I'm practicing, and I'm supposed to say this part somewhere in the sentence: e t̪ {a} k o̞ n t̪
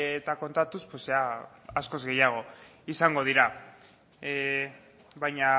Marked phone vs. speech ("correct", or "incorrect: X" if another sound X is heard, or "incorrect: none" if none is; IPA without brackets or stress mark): correct